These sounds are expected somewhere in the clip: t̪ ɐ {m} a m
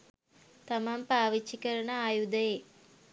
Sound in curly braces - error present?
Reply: no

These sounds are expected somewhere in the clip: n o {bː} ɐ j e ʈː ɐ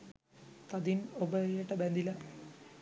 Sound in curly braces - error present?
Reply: yes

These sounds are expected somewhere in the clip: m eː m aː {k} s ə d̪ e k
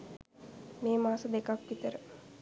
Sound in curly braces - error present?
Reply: yes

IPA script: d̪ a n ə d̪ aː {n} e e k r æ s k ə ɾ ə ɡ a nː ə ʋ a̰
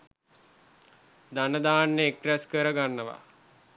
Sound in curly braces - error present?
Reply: yes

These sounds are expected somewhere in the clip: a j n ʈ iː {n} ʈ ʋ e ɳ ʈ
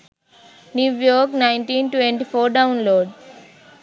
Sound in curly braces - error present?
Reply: no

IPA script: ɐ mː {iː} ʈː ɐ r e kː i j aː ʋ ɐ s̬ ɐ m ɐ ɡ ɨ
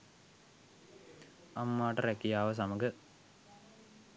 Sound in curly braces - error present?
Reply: yes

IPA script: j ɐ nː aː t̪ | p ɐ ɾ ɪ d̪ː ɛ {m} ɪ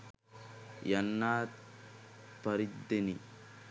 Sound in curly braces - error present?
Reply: yes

